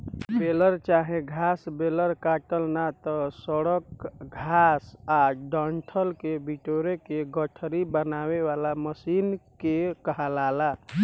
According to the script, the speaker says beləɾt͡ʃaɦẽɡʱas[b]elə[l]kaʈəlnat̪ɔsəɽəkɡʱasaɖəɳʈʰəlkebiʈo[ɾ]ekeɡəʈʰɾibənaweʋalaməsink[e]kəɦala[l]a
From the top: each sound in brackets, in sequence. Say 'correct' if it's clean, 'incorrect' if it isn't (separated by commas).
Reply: correct, incorrect, correct, correct, correct